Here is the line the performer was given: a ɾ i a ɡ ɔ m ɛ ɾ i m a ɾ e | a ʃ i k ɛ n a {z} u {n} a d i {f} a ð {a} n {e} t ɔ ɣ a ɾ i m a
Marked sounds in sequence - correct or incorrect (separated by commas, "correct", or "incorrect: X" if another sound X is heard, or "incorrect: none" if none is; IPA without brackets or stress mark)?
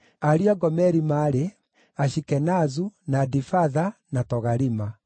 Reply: correct, correct, correct, correct, incorrect: a